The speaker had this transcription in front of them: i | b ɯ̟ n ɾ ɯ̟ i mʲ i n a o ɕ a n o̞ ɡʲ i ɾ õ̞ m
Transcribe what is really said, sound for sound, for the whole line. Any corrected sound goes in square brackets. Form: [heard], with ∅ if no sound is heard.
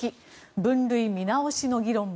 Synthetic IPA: i | b [ɯ̟̃] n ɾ ɯ̟ i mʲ i n a o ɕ [i] n o̞ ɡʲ i ɾ õ̞ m